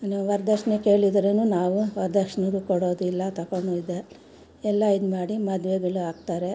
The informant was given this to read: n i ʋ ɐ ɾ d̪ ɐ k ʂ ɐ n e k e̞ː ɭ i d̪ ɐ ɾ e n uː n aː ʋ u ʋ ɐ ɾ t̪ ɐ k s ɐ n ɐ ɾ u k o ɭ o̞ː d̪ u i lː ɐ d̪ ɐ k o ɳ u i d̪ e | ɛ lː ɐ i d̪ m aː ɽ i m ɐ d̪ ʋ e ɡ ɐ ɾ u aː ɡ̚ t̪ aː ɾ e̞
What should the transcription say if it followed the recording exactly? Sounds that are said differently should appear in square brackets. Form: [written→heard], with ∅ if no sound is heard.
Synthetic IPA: n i ʋ ɐ ɾ d̪ ɐ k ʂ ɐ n e k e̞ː ɭ i d̪ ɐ ɾ e n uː n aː ʋ u ʋ ɐ ɾ [t̪→d̪] ɐ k [s→ʂ] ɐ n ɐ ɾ u k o [ɭ→ɽ] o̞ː d̪ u i lː ɐ [d̪→t̪] ɐ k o ɳ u i d̪ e | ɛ lː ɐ i d̪ m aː ɽ i m ɐ d̪ ʋ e ɡ ɐ [ɾ→ɭ] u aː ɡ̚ t̪ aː ɾ e̞